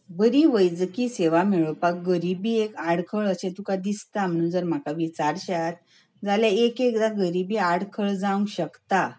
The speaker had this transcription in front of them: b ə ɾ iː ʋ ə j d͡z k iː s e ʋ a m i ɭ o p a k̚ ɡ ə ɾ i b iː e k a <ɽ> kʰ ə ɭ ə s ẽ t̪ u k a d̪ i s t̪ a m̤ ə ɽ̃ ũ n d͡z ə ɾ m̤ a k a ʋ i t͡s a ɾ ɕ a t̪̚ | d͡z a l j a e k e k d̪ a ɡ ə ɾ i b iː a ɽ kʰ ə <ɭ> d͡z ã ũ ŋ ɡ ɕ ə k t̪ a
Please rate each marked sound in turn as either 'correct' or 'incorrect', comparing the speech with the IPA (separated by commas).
correct, correct